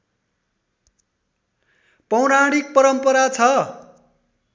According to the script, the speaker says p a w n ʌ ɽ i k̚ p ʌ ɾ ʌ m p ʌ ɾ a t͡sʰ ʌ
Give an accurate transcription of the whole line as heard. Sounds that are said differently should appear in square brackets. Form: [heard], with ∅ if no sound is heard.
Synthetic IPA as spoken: p [ʌ] w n [a] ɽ i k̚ p ʌ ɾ ʌ m p ʌ ɾ a t͡sʰ ʌ